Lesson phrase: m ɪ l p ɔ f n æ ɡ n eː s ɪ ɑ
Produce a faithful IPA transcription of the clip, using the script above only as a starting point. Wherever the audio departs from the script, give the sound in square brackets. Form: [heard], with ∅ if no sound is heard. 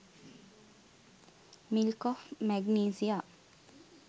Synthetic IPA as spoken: m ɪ l [k] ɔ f [m] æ ɡ n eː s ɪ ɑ